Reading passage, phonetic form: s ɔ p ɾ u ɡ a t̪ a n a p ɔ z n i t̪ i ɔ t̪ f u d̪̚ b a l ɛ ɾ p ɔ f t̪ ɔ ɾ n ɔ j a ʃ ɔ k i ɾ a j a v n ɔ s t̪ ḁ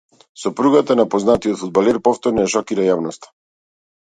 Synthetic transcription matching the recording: s ɔ p ɾ u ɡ a t̪ a n a p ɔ z n a t̪ i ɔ t̪ f u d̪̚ b a l ɛ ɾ p ɔ f t̪ ɔ ɾ n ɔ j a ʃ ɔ k i ɾ a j a v n ɔ s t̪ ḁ